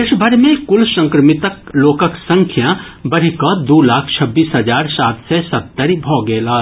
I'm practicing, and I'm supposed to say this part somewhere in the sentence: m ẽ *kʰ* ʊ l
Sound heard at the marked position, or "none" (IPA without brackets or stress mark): k